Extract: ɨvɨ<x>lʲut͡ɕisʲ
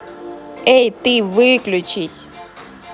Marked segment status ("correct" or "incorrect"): incorrect